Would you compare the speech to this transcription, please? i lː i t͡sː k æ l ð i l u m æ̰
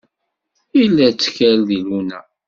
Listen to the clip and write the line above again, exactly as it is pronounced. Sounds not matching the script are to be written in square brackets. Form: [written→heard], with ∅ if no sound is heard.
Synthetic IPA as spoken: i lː [i→æ] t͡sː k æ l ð i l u [m→n] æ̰